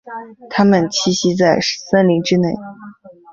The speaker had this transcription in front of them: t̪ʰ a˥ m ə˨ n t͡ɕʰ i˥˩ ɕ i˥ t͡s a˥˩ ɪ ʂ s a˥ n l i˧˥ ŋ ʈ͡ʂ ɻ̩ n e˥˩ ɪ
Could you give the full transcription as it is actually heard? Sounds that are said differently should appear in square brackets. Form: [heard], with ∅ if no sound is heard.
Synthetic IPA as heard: t̪ʰ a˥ m ə˨ n t͡ɕʰ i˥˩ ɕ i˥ t͡s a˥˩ ɪ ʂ s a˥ n l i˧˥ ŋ ʈ͡ʂ ɻ̩ n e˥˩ ɪ